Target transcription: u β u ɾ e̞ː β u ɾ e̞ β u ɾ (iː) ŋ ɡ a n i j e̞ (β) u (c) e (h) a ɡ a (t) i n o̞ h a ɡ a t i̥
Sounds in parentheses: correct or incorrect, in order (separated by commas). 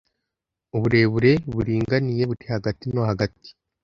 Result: correct, correct, incorrect, correct, correct